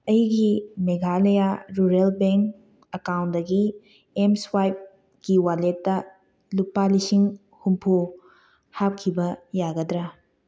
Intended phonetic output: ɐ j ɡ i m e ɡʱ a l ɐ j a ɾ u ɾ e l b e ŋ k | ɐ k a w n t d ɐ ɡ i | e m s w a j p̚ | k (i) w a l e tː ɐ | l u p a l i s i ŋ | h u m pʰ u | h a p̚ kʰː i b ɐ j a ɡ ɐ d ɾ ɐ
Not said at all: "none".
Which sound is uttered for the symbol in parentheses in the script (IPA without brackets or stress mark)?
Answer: i